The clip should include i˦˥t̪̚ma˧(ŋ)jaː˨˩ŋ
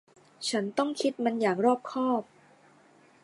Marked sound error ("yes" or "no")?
yes